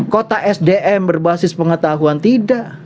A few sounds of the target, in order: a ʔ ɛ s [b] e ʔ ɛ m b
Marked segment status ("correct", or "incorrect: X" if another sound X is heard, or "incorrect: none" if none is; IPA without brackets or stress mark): incorrect: d